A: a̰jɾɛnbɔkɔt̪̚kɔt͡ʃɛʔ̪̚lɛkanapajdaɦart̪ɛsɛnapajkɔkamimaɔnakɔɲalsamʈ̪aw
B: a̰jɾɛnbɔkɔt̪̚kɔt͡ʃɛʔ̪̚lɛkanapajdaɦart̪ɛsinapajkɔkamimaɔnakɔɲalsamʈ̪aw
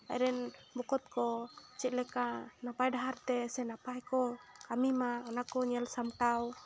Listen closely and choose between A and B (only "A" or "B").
A